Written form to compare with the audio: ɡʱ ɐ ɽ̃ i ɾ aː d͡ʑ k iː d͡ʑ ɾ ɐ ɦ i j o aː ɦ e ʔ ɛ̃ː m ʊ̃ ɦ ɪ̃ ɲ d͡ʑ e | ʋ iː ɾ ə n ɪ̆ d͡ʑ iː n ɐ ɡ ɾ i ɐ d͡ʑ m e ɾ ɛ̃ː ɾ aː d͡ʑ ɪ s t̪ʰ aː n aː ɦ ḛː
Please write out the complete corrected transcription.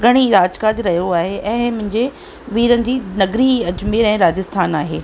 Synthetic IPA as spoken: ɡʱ ɐ ɽ̃ i ɾ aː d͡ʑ k aː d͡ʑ ɾ ɐ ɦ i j o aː ɦ e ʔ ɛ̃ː m ʊ̃ ɦ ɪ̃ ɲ d͡ʑ e | ʋ iː ɾ ə n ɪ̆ d͡ʑ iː n ɐ ɡ ɾ i ɐ d͡ʑ m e ɾ ɛ̃ː ɾ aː d͡ʑ ɪ s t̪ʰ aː n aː ɦ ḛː